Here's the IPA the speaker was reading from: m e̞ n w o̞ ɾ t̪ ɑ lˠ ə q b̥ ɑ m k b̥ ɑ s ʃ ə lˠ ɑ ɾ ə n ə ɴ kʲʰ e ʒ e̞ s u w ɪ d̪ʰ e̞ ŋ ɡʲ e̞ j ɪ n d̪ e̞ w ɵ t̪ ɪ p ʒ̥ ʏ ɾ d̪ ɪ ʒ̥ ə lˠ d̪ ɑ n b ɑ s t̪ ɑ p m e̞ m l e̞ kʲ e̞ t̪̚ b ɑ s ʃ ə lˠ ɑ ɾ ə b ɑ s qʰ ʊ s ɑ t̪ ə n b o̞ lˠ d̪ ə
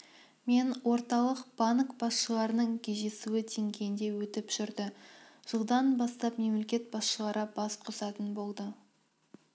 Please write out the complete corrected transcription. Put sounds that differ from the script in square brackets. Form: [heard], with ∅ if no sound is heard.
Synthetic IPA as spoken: m e̞ n w o̞ ɾ t̪ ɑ lˠ ə q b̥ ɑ [n] k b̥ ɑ s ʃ ə lˠ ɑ ɾ ə n ə ɴ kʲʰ e ʒ e̞ s u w ɪ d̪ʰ e̞ ŋ ɡʲ e̞ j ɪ n d̪ e̞ w ɵ t̪ ɪ p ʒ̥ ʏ ɾ d̪ ɪ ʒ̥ ə lˠ d̪ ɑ n b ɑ s t̪ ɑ p m e̞ m l e̞ kʲ e̞ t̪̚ b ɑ s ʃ ə lˠ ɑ ɾ ə b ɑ s qʰ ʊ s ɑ t̪ ə n b o̞ lˠ d̪ ə